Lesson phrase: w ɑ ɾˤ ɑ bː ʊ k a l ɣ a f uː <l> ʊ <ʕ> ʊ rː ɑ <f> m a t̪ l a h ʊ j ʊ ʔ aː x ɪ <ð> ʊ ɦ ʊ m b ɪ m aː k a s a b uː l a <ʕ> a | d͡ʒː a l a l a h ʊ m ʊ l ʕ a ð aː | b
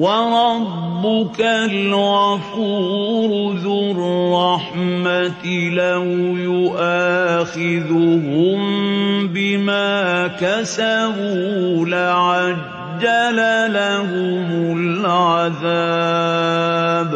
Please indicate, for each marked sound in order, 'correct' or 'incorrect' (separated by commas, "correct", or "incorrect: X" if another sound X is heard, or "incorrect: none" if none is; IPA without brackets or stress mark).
incorrect: ɾ, incorrect: ð, incorrect: ħ, correct, correct